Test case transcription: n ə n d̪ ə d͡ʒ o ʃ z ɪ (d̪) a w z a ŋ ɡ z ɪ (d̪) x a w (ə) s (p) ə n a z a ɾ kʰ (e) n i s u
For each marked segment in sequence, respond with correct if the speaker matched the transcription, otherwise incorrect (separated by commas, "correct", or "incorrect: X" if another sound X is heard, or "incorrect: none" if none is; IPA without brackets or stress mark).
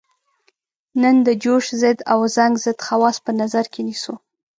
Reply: correct, correct, incorrect: ɑ, correct, correct